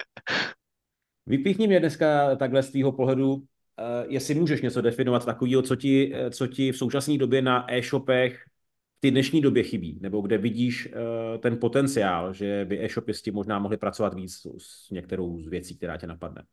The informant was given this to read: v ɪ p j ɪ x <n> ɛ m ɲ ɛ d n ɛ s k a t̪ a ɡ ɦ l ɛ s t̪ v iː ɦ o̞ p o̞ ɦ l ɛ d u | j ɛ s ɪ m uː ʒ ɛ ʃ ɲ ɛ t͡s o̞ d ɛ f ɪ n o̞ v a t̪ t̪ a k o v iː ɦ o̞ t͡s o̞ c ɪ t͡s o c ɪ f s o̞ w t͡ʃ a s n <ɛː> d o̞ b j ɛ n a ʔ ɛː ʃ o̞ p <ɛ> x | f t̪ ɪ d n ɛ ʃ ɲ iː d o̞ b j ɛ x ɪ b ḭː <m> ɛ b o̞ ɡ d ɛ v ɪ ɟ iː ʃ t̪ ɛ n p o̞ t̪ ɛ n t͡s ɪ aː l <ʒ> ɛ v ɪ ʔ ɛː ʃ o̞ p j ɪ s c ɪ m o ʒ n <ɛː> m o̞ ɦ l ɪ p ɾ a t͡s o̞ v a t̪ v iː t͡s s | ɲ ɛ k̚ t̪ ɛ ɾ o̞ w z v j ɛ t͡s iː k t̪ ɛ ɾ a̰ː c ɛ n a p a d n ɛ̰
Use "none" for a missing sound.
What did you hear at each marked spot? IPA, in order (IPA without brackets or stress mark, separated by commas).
ɲ, iː, ɛ, n, ʒ, aː